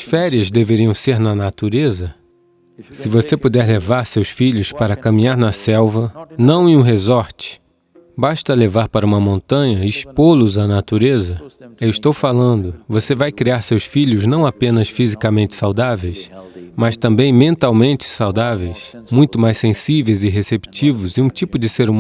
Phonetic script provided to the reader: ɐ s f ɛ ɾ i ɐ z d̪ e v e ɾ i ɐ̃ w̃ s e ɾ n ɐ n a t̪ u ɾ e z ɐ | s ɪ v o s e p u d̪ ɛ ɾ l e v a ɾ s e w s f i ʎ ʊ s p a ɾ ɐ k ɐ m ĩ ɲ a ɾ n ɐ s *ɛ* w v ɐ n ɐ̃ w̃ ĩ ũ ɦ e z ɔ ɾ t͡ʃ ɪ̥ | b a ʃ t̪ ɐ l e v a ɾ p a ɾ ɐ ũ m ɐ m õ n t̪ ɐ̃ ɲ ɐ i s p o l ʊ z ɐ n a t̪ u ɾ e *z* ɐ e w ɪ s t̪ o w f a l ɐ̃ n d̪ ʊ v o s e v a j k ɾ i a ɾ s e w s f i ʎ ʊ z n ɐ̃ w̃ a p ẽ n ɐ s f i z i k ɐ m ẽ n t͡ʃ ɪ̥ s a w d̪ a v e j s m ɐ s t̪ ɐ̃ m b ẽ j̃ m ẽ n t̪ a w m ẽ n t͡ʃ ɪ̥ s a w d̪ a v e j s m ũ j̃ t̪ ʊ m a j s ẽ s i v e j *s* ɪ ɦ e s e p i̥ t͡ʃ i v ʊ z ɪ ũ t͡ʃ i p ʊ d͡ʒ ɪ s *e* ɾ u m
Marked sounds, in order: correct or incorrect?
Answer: correct, correct, incorrect, correct

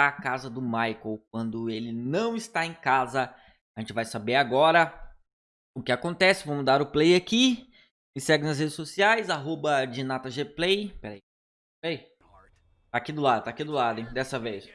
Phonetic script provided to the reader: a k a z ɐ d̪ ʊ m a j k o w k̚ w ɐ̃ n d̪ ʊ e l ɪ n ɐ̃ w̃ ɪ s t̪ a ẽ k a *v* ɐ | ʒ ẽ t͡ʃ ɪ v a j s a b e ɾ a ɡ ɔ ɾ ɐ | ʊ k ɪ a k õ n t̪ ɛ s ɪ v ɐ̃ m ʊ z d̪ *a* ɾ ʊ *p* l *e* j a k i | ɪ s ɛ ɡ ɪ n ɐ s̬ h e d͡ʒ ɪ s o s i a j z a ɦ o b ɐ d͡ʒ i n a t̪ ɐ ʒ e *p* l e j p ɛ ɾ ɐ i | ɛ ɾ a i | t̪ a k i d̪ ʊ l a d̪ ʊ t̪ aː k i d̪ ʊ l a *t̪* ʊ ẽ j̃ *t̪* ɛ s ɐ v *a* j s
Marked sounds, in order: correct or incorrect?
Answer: incorrect, correct, correct, correct, correct, incorrect, incorrect, incorrect

